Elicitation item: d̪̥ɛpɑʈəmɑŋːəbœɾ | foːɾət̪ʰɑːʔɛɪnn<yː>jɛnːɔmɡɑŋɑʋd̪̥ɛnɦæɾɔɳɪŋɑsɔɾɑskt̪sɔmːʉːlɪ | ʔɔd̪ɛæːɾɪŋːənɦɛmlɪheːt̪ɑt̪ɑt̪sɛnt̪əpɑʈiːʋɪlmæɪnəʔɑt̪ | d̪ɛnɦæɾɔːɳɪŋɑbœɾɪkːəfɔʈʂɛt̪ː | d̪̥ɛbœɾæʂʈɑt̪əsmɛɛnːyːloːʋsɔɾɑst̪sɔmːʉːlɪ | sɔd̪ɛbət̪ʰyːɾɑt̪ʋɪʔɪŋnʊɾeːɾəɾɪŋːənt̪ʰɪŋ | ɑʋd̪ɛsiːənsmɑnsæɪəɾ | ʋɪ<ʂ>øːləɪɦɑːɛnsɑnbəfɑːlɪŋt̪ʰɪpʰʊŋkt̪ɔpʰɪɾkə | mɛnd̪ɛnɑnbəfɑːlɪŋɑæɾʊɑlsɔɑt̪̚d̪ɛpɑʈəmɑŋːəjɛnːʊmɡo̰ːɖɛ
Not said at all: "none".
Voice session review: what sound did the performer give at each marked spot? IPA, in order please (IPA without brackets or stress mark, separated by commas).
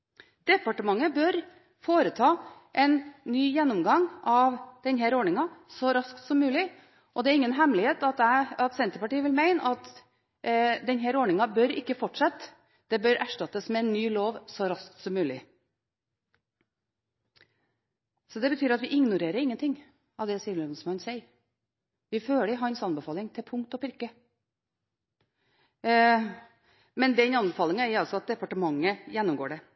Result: yː, f